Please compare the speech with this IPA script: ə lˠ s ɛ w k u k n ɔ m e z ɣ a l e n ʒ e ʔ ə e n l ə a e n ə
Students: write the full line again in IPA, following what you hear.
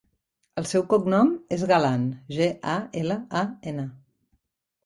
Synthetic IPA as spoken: ə lˠ s ɛ w k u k n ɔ m e z ɣ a l a n ʒ e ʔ a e l ə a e n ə